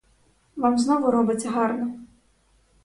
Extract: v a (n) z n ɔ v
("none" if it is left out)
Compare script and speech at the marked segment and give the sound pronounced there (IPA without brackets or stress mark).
m